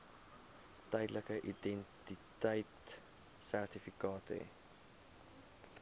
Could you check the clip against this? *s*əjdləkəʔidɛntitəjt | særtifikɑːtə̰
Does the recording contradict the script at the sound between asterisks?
yes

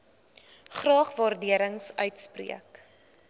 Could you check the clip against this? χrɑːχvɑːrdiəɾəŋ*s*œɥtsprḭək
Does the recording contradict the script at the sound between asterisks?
no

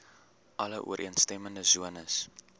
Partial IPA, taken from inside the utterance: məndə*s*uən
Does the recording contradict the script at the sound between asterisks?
yes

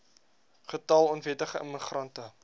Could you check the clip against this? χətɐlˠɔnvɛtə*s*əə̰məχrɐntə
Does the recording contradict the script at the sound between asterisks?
yes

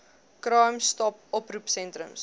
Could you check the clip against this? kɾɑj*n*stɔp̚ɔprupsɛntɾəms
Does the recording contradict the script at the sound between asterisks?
yes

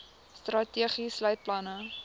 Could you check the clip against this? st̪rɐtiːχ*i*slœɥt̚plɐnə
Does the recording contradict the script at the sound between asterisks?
no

